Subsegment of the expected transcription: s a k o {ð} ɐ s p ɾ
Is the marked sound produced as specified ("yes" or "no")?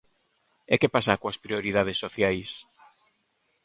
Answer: no